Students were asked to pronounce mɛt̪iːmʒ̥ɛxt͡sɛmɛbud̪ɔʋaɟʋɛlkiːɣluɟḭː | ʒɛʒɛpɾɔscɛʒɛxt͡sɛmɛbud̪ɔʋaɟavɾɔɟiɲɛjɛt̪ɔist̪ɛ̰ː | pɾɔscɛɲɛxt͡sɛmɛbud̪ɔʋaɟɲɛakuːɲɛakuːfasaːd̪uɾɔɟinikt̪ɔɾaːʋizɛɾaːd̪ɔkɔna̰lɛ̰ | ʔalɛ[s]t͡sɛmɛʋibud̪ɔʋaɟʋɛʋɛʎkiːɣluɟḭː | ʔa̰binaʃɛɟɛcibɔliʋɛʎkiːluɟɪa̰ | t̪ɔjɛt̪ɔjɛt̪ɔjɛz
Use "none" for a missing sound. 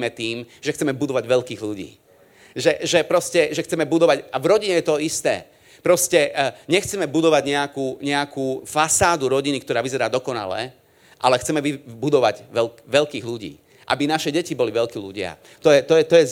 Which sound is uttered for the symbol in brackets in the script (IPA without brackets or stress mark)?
x